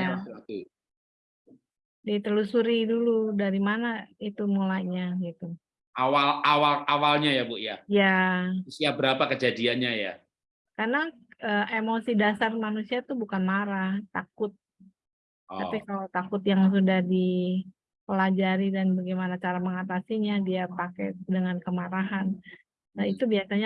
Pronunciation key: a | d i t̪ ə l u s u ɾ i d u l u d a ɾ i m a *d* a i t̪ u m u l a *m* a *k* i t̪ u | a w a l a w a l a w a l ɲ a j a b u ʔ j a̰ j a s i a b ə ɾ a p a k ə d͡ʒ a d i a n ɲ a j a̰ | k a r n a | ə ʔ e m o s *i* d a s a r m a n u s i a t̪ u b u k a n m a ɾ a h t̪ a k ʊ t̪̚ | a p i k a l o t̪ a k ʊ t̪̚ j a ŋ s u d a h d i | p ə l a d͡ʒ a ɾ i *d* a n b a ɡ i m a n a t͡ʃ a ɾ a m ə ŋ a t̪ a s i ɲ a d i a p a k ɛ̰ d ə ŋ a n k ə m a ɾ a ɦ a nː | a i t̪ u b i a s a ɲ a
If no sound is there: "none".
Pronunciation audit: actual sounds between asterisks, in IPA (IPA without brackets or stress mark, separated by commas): n, ɲ, ɡ, i, d